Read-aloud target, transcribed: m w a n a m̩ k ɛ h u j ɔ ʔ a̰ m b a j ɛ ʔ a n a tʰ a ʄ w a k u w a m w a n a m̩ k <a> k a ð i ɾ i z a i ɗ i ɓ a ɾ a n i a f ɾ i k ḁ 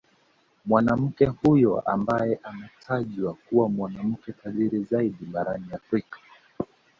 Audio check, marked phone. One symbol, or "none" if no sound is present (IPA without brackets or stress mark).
ɛ